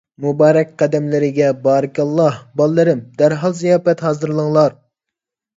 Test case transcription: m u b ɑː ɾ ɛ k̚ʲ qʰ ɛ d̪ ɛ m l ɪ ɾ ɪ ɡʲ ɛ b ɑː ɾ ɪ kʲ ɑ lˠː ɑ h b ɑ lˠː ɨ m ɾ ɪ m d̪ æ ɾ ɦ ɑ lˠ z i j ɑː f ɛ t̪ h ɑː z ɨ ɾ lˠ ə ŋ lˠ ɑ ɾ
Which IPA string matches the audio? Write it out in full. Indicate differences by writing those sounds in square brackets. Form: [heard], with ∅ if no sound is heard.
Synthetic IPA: m u b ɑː ɾ ɛ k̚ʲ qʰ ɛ d̪ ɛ m l ɪ ɾ ɪ ɡʲ ɛ b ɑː ɾ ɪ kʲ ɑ lˠː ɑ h b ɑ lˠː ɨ [∅] ɾ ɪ m d̪ æ ɾ ɦ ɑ lˠ z i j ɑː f ɛ t̪ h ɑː z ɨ ɾ lˠ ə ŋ lˠ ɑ ɾ